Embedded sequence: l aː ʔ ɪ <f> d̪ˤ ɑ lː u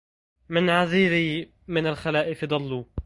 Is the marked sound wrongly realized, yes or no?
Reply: no